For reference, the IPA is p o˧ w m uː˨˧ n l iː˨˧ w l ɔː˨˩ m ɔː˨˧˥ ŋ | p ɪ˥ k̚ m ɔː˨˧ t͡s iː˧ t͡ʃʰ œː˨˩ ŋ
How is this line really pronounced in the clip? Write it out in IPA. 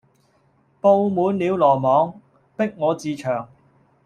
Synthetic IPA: p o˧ w m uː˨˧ n l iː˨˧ w l ɔː˨˩ m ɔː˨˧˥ ŋ | p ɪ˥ k̚ ŋ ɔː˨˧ t͡s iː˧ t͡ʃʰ œː˨˩ ŋ

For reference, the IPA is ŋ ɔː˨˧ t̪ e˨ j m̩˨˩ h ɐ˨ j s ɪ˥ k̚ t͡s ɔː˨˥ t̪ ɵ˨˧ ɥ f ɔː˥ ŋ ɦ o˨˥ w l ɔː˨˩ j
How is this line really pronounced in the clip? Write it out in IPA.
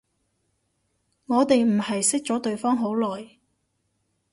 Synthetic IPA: ŋ ɔː˨˧ t̪ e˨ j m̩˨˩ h ɐ˨ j s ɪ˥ k̚ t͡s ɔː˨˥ t̪ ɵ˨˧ ɥ f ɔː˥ ŋ ɦ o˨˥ w l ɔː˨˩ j

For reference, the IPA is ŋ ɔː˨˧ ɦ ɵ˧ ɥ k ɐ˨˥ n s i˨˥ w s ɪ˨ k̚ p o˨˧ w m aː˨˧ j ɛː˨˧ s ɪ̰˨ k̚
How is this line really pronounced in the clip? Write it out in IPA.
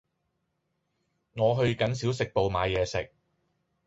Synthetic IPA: ŋ ɔː˨˧ ɦ ɵ˧ ɥ k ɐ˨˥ n s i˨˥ w s ɪ˨ k̚ p o˨˧ w m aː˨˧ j ɛː˨˧ s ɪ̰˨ k̚

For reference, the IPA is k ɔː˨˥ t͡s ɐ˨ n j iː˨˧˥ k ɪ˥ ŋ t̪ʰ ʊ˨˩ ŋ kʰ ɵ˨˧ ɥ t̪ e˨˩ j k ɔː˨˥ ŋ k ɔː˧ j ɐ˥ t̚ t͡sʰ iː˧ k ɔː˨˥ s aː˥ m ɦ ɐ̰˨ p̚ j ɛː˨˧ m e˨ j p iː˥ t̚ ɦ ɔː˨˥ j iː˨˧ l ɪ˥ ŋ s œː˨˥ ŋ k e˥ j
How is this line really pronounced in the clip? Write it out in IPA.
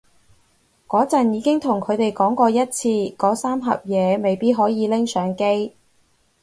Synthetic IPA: k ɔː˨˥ t͡s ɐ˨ n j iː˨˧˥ k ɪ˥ ŋ t̪ʰ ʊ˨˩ ŋ kʰ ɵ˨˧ ɥ t̪ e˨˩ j k ɔː˨˥ ŋ k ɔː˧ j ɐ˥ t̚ t͡sʰ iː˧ k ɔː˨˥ s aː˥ m ɦ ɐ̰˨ p̚ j ɛː˨˧ m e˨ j p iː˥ t̚ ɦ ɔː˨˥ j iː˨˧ l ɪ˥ ŋ s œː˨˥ ŋ k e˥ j

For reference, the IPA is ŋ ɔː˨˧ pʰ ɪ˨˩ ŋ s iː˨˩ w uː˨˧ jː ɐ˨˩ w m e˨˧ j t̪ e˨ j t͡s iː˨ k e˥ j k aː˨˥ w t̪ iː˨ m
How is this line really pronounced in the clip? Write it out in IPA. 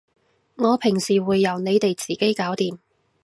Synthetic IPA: ŋ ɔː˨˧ pʰ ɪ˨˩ ŋ s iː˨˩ w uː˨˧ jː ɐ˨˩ w n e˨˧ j t̪ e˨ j t͡s iː˨ k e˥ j k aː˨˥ w t̪ iː˨ m

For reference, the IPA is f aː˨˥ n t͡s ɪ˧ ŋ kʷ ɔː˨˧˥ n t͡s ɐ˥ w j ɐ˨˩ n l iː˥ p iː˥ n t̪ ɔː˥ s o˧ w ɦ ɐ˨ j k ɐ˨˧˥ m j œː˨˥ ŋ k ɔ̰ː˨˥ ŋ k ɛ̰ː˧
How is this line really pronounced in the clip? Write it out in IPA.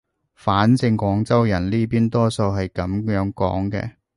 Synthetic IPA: f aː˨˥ n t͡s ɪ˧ ŋ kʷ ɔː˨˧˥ ŋ t͡s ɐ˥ w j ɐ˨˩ n l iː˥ p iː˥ n t̪ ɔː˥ s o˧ w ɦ ɐ˨ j k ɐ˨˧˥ m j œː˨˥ ŋ k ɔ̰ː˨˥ ŋ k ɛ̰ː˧

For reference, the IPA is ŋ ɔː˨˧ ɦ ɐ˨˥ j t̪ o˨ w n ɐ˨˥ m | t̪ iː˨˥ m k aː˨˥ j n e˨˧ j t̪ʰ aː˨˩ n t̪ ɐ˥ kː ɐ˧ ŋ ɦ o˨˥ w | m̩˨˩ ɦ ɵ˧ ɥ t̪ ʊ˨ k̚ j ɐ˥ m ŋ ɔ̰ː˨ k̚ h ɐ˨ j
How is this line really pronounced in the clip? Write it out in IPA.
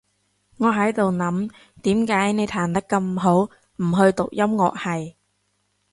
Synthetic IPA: ŋ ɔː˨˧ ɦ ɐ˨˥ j t̪ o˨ w n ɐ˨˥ m | t̪ iː˨˥ m k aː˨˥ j n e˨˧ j t̪ʰ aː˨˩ n t̪ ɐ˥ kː ɐ˧ m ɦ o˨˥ w | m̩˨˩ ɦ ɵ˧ ɥ t̪ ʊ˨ k̚ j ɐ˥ m ŋ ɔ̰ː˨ k̚ h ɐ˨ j

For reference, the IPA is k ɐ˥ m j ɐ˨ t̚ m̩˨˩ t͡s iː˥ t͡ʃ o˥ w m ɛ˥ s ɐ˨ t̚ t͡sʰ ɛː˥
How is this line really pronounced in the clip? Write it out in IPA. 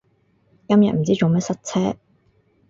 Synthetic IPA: k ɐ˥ m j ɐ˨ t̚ m̩˨˩ t͡s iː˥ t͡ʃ o˨ w m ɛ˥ s ɐ˥ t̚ t͡sʰ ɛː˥

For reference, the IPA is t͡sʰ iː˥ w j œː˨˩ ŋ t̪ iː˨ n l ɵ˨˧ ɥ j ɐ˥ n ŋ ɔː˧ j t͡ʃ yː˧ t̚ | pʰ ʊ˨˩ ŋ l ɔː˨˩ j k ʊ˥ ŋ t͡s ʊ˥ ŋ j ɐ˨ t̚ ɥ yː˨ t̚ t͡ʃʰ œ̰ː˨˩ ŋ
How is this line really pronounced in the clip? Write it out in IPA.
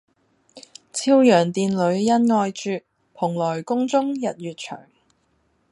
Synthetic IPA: t͡sʰ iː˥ w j œː˨˩ ŋ t̪ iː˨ n l ɵ˨˧ ɥ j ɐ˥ n ŋ ɔː˧ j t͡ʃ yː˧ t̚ | pʰ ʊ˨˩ ŋ l ɔː˨˩ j k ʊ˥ ŋ t͡s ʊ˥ ŋ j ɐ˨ t̚ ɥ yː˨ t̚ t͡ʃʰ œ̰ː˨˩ ŋ

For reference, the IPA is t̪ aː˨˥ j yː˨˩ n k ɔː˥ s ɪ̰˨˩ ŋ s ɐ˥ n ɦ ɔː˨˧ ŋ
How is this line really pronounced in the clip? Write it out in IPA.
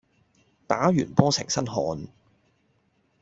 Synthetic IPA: t̪ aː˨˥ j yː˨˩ n p ɔː˥ s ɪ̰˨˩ ŋ s ɐ˥ n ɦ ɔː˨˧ n

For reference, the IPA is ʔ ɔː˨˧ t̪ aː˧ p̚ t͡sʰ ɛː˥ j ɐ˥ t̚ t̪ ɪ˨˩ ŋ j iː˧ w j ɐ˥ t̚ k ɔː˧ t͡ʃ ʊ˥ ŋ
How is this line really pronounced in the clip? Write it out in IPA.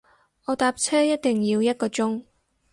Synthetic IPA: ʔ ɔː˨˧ t̪ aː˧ p̚ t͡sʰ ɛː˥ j ɐ˥ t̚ t̪ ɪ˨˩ ŋ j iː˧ w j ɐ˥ t̚ k ɔː˧ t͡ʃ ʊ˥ ŋ

